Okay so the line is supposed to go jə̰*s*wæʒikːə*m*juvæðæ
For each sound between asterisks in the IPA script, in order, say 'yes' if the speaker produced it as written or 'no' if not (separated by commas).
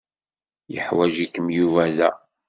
no, yes